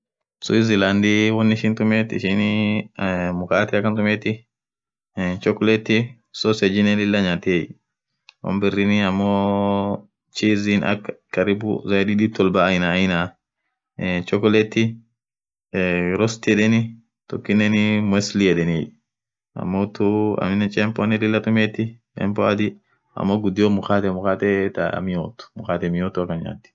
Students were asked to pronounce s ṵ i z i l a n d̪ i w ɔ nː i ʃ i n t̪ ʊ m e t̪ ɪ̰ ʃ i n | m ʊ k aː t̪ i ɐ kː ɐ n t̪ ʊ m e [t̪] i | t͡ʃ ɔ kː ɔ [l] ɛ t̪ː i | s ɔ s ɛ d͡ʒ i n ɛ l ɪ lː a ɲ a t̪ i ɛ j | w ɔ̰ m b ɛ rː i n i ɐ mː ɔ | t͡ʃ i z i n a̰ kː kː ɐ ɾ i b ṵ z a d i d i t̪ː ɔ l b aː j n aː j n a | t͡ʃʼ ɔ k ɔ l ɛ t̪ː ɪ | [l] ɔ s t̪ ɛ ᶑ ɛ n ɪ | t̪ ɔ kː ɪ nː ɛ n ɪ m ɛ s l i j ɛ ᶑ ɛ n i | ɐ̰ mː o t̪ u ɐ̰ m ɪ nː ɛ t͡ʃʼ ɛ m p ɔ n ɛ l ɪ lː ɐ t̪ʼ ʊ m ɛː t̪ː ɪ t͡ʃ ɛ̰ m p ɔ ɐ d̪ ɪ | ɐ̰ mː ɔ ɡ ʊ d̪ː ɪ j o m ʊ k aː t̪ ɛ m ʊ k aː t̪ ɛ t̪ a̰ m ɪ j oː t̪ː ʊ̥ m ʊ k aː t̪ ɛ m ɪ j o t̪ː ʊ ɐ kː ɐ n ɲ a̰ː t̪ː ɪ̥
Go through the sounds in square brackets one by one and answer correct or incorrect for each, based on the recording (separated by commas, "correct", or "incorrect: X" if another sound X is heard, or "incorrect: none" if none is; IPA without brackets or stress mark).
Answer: correct, correct, incorrect: ɾ